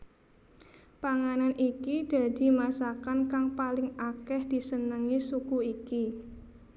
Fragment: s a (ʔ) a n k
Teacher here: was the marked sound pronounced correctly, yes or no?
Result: no